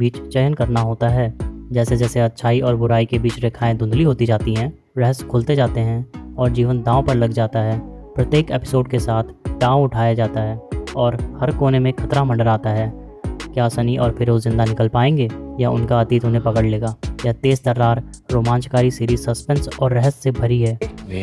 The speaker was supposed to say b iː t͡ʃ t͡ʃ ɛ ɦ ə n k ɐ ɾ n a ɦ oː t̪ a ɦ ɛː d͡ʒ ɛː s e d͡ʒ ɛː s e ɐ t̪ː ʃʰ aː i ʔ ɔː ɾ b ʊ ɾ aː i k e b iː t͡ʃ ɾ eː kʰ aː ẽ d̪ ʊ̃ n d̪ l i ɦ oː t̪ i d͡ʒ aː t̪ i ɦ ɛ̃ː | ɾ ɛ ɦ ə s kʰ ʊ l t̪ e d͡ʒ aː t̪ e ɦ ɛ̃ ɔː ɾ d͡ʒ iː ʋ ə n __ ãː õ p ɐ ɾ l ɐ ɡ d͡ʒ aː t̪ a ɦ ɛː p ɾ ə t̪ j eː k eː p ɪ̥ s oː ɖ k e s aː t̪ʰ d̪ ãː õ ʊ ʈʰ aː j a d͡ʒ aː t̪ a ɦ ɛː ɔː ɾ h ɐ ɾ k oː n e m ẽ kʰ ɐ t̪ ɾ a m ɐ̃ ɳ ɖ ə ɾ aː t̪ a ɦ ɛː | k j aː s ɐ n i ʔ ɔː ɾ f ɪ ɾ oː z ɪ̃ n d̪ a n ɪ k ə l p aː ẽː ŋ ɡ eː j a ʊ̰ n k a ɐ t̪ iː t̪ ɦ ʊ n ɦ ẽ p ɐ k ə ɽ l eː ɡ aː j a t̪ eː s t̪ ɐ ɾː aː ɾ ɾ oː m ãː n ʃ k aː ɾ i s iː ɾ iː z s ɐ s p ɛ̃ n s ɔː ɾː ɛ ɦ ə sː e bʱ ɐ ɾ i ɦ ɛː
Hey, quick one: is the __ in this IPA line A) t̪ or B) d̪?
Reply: B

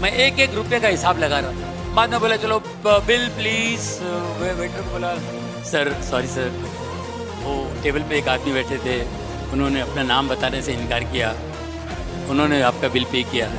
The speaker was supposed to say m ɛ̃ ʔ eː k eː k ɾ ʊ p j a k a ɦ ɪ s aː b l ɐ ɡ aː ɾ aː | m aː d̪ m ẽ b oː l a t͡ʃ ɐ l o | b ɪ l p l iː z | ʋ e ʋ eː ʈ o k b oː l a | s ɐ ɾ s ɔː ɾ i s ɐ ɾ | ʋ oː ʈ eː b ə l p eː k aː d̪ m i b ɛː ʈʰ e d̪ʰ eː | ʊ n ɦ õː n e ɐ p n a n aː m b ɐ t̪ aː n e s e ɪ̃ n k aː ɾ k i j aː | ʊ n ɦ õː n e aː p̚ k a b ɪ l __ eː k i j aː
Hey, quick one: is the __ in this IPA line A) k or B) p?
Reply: B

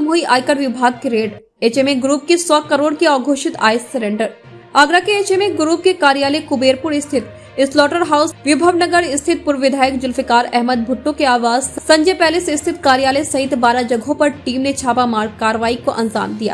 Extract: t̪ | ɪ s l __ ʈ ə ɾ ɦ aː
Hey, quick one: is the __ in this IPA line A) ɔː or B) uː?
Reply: A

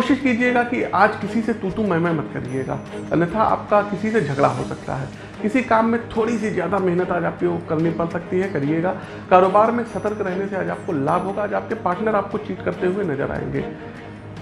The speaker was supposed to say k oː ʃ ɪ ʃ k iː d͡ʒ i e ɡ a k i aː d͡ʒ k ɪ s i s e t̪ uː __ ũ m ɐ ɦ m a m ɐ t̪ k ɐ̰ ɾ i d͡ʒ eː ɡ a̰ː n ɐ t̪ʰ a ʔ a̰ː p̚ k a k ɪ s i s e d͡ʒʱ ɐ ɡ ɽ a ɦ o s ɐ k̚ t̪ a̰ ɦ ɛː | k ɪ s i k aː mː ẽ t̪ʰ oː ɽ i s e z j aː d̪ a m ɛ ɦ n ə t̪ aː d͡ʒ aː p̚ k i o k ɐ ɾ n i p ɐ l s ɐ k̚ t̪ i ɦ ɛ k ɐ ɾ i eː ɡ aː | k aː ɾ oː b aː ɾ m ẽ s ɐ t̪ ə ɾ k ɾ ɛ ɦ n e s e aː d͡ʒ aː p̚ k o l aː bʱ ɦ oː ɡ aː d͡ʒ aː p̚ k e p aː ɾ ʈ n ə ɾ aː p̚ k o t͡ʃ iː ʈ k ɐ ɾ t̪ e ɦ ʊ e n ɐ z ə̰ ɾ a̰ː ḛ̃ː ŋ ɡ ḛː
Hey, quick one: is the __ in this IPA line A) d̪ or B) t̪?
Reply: B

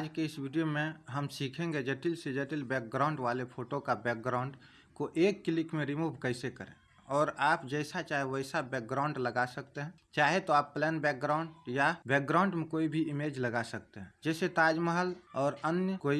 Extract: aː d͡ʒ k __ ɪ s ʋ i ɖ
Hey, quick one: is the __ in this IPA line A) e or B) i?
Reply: A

